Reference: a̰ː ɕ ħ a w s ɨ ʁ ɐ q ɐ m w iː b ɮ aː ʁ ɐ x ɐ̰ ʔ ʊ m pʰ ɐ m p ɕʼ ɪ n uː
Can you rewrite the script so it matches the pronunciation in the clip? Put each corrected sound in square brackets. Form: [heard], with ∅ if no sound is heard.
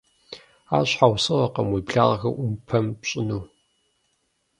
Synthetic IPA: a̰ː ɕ ħ a w s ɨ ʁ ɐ q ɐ m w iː b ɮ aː ʁ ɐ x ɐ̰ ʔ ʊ m pʰ ɐ m p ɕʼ ɪ n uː

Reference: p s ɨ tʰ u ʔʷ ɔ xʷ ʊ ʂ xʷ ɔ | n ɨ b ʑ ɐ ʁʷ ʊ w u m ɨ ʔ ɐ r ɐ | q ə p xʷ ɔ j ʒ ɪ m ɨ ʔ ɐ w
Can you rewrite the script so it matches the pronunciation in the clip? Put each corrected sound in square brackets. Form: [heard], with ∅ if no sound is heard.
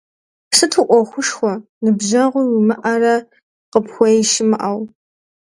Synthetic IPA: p s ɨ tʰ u ʔʷ ɔ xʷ ʊ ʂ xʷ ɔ | n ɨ b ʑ ɐ ʁʷ ʊ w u m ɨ ʔ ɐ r ɐ | q ə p xʷ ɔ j [ʃ] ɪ m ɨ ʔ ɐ w

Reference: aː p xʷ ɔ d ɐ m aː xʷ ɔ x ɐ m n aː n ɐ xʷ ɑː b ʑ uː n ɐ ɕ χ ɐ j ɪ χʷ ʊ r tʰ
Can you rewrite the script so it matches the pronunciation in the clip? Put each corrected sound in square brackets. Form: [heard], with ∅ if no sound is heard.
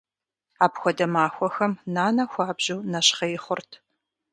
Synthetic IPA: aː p xʷ ɔ d ɐ m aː xʷ ɔ x ɐ m n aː n ɐ xʷ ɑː b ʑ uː n ɐ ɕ χ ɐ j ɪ χʷ ʊ r tʰ

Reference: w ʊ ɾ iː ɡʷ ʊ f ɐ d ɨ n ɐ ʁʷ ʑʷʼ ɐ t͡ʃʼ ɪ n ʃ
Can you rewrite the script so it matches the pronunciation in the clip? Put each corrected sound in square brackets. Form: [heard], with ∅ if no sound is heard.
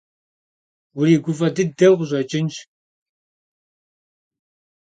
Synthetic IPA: w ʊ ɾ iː ɡʷ ʊ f ɐ d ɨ [d] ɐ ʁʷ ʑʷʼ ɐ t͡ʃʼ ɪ n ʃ

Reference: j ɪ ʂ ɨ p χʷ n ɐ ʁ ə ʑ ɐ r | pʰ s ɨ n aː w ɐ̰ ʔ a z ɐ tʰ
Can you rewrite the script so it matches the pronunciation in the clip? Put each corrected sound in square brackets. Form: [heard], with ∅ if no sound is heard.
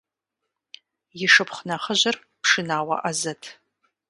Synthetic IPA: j ɪ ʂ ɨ p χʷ n ɐ [χ] ə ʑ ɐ r | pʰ [ʂ] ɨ n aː w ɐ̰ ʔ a z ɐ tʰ

